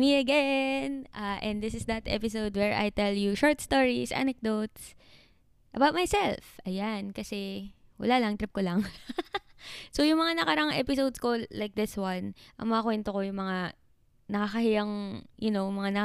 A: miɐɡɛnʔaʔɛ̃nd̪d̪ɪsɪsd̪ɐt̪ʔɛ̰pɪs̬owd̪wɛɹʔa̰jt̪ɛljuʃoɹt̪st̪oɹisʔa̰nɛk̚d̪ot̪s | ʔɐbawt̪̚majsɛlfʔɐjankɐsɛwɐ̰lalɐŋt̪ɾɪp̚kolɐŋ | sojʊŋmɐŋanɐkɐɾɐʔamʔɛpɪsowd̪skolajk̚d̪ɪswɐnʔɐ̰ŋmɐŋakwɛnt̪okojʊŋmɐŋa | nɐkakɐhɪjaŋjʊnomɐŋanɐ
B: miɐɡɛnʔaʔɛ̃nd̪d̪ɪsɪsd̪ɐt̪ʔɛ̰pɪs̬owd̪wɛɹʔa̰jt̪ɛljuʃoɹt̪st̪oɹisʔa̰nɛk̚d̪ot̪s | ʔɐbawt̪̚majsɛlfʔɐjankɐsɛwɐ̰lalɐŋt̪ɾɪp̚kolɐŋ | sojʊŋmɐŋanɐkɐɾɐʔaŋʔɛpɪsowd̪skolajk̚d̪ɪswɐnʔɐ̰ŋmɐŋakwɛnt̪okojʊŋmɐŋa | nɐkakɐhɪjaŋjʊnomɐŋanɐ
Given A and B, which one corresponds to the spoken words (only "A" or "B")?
B